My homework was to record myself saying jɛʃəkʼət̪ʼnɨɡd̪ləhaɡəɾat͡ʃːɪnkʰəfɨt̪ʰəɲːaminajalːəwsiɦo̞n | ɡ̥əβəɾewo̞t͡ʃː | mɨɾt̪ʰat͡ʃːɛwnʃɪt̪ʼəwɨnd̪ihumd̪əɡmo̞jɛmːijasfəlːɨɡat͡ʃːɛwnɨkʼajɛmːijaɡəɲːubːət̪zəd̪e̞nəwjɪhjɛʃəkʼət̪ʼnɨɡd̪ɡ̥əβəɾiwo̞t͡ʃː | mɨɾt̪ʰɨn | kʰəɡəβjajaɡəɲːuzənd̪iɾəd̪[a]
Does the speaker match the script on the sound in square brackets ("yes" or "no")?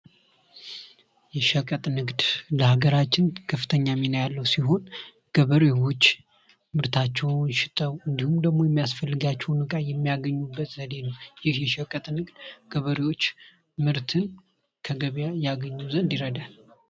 yes